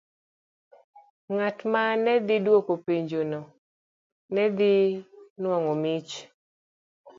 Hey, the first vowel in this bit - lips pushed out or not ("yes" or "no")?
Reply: no